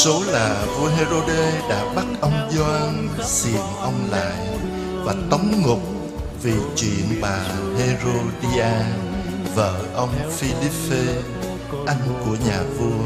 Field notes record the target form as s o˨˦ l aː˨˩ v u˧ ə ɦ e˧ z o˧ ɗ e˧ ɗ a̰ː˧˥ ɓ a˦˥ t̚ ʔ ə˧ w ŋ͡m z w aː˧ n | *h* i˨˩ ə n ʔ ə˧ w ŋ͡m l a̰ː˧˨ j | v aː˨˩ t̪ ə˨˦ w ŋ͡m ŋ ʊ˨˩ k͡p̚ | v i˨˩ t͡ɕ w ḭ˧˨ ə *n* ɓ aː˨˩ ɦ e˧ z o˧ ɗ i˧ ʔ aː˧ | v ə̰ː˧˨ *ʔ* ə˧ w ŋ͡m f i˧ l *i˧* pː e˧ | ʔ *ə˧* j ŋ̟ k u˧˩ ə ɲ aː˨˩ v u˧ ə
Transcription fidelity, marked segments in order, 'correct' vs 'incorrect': incorrect: s, correct, correct, incorrect: i˦˥, incorrect: a˧

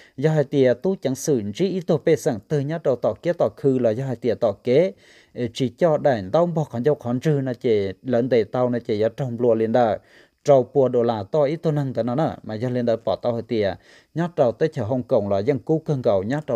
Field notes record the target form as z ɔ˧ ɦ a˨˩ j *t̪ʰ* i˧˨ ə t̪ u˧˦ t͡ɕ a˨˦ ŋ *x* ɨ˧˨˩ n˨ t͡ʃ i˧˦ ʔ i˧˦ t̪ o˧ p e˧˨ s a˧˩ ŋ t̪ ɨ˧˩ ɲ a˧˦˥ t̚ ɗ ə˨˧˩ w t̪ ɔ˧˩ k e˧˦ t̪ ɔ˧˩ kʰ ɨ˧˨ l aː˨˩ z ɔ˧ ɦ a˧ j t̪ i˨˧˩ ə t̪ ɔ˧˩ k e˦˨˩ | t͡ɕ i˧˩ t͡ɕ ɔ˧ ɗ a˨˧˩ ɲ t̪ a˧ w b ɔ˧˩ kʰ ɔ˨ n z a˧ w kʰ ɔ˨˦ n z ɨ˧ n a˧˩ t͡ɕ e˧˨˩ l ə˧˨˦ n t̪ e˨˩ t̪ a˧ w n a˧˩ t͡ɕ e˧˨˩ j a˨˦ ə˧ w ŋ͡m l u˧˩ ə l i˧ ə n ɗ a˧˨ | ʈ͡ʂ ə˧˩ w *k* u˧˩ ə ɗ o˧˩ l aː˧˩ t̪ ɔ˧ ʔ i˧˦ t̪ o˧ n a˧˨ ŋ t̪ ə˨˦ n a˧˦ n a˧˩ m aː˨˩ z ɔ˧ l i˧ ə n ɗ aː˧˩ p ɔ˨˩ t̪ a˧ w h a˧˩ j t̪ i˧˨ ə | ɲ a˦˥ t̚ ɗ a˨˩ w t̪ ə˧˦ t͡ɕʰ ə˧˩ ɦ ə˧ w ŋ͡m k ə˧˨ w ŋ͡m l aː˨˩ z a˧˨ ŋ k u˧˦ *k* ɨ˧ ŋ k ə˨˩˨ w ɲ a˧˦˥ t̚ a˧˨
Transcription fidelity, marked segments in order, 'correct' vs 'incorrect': incorrect: t̪, incorrect: s, incorrect: p, correct

